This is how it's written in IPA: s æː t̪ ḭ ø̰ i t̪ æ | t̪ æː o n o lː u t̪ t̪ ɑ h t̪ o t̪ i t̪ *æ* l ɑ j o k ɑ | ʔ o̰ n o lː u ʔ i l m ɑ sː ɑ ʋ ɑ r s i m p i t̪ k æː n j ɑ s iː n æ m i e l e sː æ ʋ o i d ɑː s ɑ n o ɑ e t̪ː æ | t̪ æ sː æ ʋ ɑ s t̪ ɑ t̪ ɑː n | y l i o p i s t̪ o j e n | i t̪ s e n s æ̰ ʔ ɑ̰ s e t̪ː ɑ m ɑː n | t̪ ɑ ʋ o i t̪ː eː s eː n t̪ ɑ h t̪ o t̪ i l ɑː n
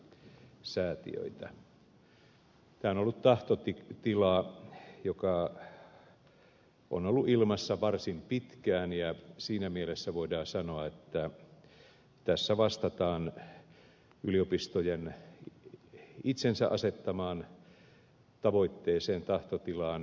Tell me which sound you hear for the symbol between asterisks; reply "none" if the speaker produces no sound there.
i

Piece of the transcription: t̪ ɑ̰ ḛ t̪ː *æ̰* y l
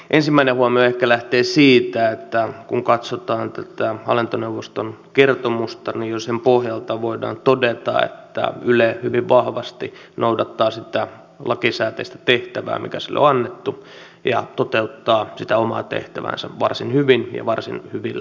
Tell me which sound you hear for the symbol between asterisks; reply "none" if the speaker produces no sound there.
æ̰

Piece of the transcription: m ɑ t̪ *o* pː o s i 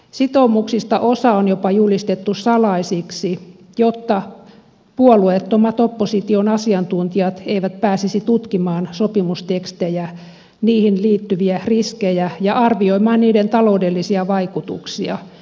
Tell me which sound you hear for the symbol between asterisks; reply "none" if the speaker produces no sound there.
o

